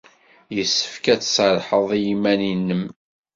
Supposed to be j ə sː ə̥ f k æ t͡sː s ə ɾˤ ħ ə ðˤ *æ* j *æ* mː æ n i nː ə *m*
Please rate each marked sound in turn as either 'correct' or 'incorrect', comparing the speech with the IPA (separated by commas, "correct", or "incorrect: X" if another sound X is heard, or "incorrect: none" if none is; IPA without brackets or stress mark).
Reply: incorrect: i, incorrect: i, correct